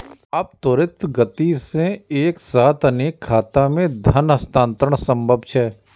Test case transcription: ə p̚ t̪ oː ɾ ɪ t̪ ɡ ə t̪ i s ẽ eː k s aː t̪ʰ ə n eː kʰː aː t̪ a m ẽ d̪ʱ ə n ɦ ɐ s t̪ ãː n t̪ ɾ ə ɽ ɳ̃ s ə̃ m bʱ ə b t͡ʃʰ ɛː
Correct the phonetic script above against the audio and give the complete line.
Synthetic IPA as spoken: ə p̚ t̪ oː ɾ ɪ t̪ ɡ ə t̪ i s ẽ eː k s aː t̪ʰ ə n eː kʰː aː t̪ a m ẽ d̪ʱ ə n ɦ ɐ s t̪ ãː n t̪ ɾ ə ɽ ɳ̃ s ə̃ m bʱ ə b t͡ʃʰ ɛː